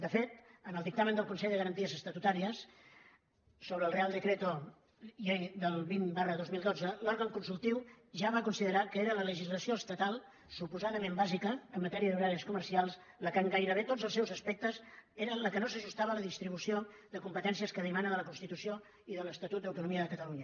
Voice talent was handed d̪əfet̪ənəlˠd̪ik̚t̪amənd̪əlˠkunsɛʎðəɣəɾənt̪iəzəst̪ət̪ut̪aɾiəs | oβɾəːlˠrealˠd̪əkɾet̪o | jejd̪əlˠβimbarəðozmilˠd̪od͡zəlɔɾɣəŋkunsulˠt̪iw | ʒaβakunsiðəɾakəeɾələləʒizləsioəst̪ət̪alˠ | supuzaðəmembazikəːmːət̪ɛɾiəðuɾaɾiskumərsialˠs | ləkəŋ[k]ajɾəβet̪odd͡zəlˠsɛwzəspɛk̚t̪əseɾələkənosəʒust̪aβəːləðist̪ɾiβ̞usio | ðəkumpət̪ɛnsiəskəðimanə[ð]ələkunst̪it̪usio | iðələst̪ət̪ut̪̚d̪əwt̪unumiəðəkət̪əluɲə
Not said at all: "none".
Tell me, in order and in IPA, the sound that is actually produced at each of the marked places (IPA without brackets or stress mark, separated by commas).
ɡ, ð